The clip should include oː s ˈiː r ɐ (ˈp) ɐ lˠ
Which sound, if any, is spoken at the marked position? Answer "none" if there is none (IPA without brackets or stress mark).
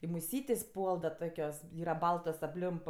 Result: b